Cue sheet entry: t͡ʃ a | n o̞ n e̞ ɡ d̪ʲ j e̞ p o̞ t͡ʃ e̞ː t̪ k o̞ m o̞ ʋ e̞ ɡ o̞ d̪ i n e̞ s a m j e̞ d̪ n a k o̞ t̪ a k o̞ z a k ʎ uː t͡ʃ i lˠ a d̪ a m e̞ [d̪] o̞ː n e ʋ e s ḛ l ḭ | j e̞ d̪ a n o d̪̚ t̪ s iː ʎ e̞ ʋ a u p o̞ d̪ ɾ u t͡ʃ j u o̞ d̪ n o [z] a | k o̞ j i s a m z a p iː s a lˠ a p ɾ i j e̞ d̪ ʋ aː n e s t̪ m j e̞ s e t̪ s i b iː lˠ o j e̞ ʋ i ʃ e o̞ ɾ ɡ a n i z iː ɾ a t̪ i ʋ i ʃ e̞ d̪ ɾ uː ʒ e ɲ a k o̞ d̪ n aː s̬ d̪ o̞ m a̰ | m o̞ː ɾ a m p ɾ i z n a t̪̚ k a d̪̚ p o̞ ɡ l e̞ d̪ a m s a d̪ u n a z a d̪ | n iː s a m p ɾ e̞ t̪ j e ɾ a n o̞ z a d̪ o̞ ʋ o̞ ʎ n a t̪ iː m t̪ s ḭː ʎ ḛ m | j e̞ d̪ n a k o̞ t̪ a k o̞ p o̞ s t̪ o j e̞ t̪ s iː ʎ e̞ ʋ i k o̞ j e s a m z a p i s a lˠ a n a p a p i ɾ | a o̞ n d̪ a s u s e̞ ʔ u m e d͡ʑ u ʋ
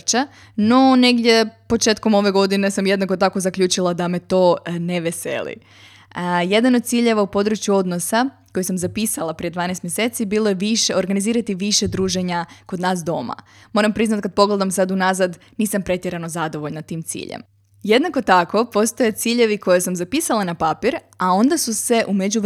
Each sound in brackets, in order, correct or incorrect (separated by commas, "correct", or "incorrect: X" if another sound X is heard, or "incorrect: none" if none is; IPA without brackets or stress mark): incorrect: t̪, incorrect: s